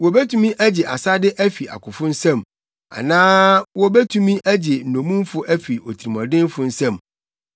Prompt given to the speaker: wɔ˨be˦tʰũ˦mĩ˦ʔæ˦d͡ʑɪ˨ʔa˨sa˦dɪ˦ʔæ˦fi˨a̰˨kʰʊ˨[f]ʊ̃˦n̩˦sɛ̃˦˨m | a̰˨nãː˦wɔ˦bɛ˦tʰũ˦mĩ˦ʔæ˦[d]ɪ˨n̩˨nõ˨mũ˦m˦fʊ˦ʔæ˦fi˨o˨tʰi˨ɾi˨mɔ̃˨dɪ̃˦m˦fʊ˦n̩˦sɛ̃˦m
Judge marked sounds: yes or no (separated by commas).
yes, no